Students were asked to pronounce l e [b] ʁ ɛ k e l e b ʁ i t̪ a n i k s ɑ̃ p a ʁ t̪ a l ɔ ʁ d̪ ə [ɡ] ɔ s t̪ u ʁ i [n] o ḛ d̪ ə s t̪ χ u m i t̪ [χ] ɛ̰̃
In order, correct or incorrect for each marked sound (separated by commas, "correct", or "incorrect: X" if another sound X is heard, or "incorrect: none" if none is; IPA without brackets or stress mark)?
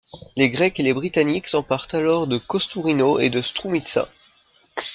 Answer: incorrect: ɡ, incorrect: k, correct, incorrect: s